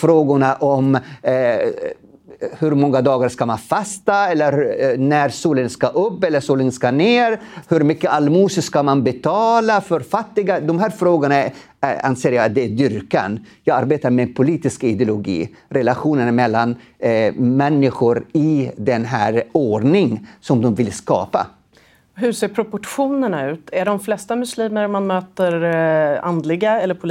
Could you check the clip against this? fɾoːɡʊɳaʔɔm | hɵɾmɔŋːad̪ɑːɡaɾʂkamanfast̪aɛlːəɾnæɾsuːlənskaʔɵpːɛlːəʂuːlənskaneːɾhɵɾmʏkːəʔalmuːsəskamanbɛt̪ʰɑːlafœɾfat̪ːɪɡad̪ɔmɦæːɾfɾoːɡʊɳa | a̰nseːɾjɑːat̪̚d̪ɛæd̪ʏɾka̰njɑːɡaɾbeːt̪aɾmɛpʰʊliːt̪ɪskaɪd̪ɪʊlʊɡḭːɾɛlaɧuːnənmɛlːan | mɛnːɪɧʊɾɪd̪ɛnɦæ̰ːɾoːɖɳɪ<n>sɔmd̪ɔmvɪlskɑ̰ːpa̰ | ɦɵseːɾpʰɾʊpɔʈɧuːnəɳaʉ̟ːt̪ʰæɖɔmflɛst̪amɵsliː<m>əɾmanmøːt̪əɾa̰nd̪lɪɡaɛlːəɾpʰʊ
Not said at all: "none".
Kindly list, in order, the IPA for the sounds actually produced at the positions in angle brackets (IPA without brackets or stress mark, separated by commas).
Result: ŋ, m